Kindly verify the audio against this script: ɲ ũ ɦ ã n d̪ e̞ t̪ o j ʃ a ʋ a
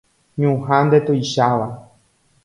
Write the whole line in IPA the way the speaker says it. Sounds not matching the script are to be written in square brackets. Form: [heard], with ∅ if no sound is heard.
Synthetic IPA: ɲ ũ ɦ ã n d̪ e̞ t̪ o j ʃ a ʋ a